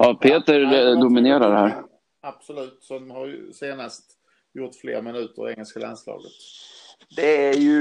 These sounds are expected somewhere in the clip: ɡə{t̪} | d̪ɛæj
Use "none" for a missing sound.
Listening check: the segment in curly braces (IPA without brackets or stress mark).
t̪